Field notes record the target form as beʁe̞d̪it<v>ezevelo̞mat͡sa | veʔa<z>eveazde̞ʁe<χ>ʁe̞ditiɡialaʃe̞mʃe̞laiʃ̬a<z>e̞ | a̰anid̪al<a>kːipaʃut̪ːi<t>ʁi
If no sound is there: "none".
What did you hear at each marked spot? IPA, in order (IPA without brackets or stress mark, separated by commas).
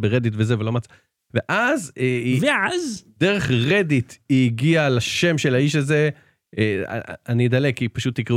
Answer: v, z, χ, z, e, k